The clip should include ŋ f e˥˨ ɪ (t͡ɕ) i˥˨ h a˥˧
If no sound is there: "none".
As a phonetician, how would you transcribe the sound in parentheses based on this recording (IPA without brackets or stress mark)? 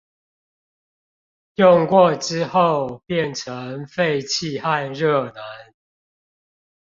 t͡ɕʰ